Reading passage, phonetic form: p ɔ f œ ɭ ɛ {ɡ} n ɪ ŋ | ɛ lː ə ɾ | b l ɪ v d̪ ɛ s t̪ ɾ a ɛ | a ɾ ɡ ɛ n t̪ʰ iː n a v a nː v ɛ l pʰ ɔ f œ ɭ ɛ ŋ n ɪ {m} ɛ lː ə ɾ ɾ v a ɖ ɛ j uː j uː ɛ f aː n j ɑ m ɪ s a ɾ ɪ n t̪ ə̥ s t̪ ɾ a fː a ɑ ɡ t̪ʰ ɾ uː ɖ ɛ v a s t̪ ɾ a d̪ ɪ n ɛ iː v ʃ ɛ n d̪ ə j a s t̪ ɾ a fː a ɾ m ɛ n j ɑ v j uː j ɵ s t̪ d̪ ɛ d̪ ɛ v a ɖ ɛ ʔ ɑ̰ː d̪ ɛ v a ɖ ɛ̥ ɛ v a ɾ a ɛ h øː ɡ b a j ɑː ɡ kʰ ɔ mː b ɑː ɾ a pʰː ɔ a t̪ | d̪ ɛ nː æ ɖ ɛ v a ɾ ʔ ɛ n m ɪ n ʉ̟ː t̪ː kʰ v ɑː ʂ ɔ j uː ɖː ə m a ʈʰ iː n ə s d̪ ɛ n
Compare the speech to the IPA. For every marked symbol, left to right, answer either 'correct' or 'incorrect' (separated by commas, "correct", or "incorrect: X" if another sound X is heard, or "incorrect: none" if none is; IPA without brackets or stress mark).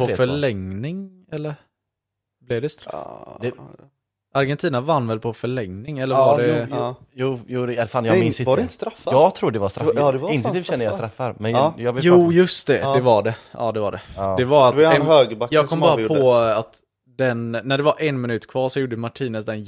incorrect: ŋ, incorrect: ŋ